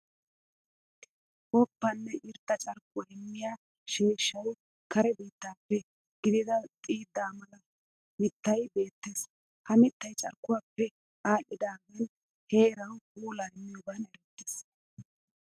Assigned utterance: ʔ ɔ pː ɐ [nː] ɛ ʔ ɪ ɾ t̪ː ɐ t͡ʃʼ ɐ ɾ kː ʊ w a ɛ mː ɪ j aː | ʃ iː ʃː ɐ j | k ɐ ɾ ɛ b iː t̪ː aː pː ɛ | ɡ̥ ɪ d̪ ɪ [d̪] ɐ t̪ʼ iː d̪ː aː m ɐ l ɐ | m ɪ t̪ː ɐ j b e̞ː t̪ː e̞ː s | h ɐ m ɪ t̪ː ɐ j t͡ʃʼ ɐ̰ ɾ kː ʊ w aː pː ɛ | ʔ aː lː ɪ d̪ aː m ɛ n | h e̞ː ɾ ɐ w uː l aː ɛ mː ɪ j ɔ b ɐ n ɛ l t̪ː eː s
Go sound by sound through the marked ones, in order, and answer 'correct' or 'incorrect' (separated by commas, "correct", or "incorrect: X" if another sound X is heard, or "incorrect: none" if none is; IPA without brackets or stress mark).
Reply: correct, correct